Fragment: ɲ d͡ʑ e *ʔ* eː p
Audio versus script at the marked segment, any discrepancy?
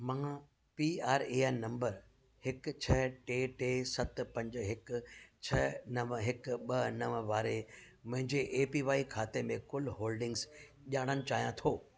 no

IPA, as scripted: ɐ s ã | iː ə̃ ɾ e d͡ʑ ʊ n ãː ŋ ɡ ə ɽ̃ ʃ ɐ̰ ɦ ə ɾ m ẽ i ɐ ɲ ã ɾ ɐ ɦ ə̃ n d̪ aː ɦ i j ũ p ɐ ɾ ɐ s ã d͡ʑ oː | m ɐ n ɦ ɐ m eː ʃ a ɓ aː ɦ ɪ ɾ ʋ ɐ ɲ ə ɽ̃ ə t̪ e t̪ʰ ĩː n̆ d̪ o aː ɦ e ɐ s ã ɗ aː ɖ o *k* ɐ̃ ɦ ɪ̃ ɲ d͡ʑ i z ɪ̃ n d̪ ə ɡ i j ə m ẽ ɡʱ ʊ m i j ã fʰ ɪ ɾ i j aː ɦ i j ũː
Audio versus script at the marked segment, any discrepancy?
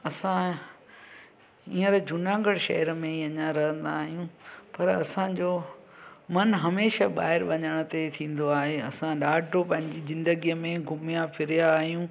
yes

